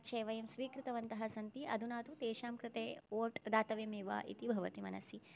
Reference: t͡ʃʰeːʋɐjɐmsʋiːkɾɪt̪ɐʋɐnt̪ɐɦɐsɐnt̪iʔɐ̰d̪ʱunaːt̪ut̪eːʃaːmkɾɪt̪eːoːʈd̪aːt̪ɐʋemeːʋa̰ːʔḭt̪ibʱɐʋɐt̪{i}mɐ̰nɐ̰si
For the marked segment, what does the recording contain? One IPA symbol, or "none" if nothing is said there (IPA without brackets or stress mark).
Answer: i